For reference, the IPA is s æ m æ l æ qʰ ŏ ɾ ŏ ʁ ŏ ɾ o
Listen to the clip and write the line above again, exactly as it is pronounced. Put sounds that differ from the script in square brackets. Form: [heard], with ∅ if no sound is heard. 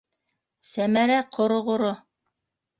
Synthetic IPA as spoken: s æ m æ [ɾ] æ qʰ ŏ ɾ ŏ ʁ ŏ ɾ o